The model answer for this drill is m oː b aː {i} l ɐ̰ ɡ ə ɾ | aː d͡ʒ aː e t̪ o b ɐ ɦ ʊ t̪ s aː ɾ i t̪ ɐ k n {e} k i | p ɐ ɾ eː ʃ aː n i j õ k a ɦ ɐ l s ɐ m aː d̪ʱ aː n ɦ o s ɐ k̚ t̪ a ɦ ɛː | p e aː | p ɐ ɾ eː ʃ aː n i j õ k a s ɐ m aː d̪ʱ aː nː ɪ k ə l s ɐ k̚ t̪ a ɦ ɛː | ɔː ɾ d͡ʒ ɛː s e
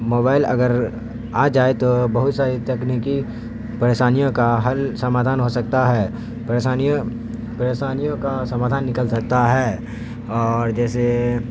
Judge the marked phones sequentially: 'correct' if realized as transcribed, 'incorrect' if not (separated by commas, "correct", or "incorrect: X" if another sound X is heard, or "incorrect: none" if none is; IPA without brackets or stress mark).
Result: incorrect: ɪ, incorrect: i